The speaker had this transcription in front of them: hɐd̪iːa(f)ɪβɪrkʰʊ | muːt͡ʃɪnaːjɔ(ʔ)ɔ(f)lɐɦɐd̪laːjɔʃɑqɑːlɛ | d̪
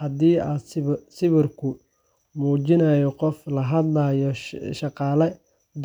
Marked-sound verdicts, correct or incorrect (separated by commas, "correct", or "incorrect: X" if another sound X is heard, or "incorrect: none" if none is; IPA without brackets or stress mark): incorrect: s, incorrect: q, correct